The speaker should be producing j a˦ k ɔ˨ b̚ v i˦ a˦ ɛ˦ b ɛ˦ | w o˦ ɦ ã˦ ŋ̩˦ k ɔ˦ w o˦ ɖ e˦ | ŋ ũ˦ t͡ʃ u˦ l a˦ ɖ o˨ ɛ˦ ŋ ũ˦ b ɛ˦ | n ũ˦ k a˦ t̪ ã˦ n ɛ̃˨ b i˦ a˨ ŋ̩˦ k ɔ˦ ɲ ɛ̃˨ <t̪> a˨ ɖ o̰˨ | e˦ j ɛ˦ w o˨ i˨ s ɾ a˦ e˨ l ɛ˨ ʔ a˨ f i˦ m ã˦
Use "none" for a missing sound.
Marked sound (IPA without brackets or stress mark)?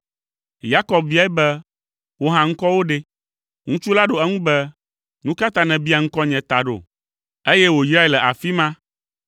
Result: t̪